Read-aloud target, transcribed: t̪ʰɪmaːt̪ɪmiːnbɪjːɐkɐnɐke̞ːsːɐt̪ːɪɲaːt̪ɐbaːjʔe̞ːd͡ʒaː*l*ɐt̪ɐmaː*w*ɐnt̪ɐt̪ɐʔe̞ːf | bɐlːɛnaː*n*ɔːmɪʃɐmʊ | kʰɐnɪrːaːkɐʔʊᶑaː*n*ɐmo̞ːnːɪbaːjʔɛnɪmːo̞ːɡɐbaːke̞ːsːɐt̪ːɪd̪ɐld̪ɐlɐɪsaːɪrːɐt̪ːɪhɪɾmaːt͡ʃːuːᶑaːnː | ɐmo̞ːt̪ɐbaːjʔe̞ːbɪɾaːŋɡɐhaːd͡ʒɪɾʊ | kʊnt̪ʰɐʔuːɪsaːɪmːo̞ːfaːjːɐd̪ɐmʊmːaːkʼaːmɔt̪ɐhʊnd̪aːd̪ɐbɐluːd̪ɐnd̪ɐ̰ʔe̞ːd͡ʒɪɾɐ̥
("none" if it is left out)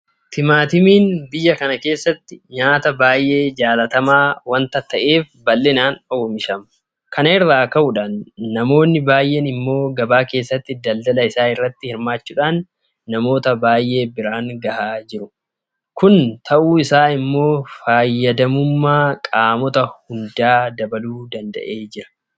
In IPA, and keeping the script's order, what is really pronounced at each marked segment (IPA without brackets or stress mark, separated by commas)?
l, w, n, nː